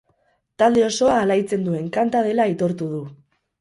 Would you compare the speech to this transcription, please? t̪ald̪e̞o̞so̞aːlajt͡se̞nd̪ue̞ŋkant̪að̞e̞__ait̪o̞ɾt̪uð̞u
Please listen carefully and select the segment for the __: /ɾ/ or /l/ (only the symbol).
l